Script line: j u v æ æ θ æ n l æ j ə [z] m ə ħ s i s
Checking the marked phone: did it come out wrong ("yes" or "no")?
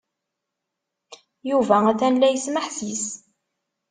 yes